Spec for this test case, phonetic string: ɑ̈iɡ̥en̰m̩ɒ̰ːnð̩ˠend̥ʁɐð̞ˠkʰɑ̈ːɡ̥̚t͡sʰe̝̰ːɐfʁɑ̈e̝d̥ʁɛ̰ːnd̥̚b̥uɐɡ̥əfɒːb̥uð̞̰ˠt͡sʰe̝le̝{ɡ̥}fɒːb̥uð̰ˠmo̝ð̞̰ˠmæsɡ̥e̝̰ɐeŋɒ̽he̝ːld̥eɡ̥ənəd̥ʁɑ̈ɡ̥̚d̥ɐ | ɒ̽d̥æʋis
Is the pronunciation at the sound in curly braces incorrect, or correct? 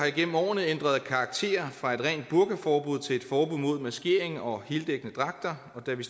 incorrect